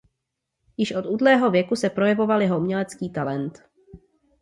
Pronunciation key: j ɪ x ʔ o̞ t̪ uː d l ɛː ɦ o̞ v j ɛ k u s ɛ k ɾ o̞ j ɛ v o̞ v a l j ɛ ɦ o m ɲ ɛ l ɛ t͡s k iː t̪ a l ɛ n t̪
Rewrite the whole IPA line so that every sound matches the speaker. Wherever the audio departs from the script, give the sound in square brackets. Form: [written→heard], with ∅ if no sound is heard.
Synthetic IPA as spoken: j ɪ [x→ʃ] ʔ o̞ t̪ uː d l ɛː ɦ o̞ v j ɛ k u s ɛ [k→p] ɾ o̞ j ɛ v o̞ v a l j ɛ ɦ o m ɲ ɛ l ɛ t͡s k iː t̪ a l ɛ n t̪